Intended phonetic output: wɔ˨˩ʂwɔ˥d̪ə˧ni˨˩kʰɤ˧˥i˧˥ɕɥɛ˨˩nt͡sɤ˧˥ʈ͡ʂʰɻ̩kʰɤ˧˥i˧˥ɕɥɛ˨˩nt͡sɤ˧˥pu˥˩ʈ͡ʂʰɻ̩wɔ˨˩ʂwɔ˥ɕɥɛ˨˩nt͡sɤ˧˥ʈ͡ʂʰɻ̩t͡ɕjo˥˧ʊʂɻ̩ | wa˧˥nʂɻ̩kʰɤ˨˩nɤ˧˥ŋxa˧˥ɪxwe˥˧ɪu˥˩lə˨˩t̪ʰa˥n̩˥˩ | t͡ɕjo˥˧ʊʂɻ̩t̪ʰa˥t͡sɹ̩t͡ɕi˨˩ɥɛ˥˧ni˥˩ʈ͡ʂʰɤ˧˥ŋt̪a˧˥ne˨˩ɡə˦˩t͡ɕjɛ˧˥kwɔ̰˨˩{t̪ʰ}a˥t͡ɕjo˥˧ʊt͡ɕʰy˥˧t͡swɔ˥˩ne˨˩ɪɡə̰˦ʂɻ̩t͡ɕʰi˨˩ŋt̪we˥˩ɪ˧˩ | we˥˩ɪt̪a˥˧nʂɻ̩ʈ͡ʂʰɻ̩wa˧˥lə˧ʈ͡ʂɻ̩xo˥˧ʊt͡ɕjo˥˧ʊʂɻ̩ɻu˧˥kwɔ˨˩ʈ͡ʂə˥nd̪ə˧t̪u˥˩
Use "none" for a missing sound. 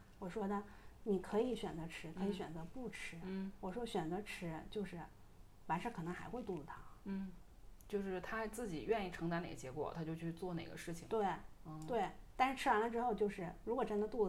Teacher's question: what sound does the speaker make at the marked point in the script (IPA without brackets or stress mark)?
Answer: t̪ʰ